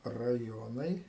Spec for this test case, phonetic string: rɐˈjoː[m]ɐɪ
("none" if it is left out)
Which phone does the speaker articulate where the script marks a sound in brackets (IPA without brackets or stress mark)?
n